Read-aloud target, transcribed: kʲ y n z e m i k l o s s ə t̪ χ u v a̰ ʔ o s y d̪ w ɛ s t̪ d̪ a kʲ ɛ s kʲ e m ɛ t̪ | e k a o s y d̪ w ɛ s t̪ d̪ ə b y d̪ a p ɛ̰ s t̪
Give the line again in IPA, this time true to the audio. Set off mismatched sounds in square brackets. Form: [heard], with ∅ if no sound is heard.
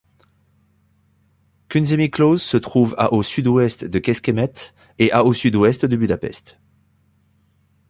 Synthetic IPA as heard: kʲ y n z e m i k l o [z] s ə t̪ χ u v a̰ ʔ o s y d̪ w ɛ s t̪ d̪ [ə] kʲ ɛ s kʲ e m ɛ t̪ | e [ʔ] a o s y d̪ w ɛ s t̪ d̪ ə b y d̪ a p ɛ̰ s t̪

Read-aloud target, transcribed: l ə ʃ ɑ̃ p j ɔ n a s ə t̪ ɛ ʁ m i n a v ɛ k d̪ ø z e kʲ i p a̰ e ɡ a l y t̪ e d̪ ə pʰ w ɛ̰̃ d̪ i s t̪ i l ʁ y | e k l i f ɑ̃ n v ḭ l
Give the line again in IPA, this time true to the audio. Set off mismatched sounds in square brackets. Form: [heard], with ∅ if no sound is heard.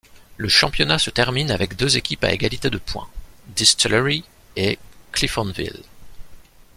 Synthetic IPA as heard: l ə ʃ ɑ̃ p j ɔ n a s ə t̪ ɛ ʁ m i n a v ɛ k d̪ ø z e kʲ i p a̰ e ɡ a l [i] t̪ e d̪ ə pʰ w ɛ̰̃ d̪ i s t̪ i l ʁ [i] | e k l i f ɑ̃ n v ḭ l

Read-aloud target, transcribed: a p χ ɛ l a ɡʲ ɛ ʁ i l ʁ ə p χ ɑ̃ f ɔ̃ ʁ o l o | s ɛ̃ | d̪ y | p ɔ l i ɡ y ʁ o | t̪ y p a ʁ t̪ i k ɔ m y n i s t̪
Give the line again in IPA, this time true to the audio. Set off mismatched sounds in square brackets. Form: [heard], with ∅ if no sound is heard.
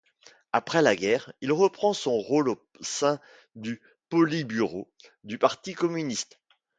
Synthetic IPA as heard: a p χ ɛ l a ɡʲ ɛ ʁ i l ʁ ə p χ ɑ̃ [s] ɔ̃ ʁ o l o | s ɛ̃ | d̪ y | p ɔ l i [b] y ʁ o | [d̪] y p a ʁ t̪ i k ɔ m y n i s t̪

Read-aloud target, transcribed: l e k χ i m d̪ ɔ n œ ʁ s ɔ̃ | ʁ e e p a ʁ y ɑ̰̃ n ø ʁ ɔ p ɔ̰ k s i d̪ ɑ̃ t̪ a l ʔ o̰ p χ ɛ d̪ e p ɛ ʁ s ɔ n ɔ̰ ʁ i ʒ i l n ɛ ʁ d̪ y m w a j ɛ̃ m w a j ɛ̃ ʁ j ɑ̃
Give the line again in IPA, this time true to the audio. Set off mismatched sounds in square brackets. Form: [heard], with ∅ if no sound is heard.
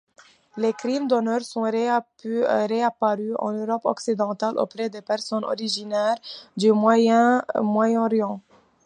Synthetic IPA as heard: l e k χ i m d̪ ɔ n œ ʁ s ɔ̃ | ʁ e [a] p a ʁ y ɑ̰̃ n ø ʁ ɔ p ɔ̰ k s i d̪ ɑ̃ t̪ a l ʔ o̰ p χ ɛ d̪ e p ɛ ʁ s ɔ n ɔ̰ ʁ i ʒ i [∅] n ɛ ʁ d̪ y m w a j ɛ̃ m w a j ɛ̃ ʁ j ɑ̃

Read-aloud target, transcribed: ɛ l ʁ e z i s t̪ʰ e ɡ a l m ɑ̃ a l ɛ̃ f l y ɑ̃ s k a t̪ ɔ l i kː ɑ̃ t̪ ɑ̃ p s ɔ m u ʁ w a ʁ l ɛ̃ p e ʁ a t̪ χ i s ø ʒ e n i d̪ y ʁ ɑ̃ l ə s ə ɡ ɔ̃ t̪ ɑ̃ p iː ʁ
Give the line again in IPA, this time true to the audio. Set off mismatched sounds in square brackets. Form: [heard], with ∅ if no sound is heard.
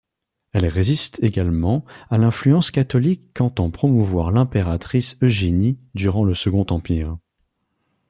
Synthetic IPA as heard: ɛ l ʁ e z i s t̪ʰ e ɡ a l m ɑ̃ a l ɛ̃ f l y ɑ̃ s k a t̪ ɔ l i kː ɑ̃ t̪ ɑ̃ p [χ] ɔ m u [v] w a ʁ l ɛ̃ p e ʁ a t̪ χ i s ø ʒ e n i d̪ y ʁ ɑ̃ l ə s ə ɡ ɔ̃ t̪ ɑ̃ p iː ʁ

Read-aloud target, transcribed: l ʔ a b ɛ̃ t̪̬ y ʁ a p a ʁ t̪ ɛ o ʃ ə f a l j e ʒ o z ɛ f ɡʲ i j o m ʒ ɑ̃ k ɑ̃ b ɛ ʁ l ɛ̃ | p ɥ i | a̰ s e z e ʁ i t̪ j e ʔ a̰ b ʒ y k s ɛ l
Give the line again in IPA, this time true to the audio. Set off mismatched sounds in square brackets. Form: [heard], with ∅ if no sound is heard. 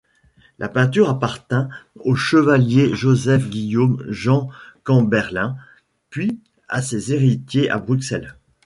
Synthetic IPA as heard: l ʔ a [p] ɛ̃ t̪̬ y ʁ a p a ʁ t̪ [ɛ̃] o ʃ ə [v] a l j e ʒ o z ɛ f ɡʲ i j o m ʒ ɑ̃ k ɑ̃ b ɛ ʁ l ɛ̃ | p ɥ i | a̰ s e z e ʁ i t̪ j e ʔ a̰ b [ʁ] y k s ɛ l

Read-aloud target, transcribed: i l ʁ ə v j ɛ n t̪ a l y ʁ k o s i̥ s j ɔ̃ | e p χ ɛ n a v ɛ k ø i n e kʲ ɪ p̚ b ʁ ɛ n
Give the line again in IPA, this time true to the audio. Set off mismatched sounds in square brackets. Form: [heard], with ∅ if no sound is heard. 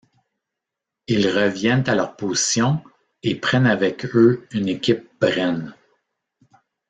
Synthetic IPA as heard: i l ʁ ə v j ɛ n t̪ a l [œ] ʁ [p] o [z] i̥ s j ɔ̃ | e p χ ɛ n a v ɛ k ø [y] n e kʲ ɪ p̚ b ʁ ɛ n

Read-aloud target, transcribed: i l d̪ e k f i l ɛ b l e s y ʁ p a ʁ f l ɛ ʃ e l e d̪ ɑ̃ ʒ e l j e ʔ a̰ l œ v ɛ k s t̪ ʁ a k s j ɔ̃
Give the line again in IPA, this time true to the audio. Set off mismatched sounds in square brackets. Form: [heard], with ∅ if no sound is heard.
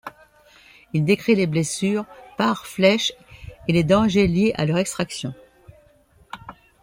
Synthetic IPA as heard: i l d̪ e k [χ] i l [e] b l e s y ʁ p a ʁ f l ɛ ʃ e l e d̪ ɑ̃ ʒ e l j e ʔ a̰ l œ [ʁ] ɛ k s t̪ [χ] a k s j ɔ̃

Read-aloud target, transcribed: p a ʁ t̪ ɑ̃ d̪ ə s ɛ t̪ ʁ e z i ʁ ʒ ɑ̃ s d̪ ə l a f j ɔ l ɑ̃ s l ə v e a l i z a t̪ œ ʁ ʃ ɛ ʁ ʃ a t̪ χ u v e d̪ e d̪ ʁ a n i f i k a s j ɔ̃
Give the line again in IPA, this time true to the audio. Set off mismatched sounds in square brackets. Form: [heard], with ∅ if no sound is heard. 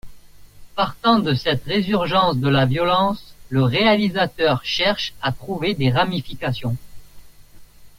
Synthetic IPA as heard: p a ʁ t̪ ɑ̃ d̪ ə s ɛ t̪ ʁ e z [y] ʁ ʒ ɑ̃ s d̪ ə l a [v] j ɔ l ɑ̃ s l ə [ʁ] e a l i z a t̪ œ ʁ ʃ ɛ ʁ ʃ a t̪ χ u v e d̪ e [∅] ʁ a [m] i f i k a s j ɔ̃

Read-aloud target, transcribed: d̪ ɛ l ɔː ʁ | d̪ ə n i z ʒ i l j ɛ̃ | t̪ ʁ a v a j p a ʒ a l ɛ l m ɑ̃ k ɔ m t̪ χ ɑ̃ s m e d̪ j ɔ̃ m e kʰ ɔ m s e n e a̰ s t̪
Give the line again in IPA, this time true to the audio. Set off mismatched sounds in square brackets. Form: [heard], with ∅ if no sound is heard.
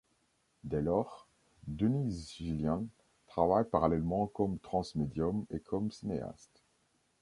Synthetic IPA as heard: d̪ ɛ l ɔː ʁ | d̪ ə n i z ʒ i l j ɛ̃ | t̪ [χ] a v a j p a [ʁ] a l ɛ l m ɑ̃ k ɔ m t̪ χ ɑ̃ s m e d̪ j [ɔ] m e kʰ ɔ m s [i] n e a̰ s t̪

